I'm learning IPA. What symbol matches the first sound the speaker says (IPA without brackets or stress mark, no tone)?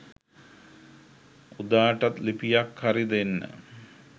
u